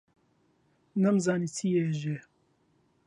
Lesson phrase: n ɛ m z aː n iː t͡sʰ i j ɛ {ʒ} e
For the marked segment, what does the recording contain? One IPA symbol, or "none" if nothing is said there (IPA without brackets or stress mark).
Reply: ʒ